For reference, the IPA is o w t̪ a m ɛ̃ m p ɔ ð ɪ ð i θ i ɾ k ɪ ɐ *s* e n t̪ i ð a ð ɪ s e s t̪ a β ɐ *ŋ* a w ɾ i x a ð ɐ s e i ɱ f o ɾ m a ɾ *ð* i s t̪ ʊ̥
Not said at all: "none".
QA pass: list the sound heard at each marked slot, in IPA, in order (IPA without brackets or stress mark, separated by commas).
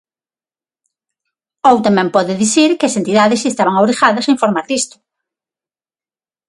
s, ŋ, ð